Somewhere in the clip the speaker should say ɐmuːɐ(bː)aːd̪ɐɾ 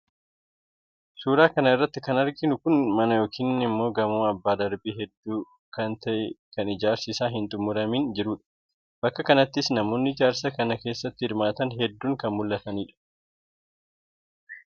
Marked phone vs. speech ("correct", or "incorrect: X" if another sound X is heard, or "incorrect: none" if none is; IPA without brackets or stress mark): correct